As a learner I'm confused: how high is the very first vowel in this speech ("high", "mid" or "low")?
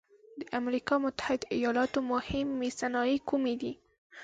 mid